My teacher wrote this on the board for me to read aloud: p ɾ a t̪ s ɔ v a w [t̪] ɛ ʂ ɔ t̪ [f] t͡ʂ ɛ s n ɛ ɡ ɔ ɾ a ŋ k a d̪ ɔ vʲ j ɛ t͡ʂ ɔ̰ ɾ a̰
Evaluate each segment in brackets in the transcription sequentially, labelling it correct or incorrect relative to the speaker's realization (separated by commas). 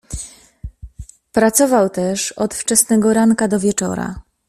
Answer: correct, correct